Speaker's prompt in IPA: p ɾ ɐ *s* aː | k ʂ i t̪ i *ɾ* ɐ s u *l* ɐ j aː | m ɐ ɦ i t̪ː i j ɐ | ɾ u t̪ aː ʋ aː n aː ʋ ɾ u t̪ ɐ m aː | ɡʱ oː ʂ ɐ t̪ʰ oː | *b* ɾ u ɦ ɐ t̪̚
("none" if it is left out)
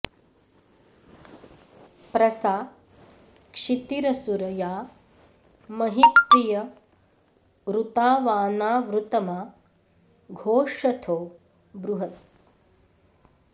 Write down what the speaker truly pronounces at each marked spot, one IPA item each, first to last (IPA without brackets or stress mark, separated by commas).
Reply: s, ɾ, ɾ, b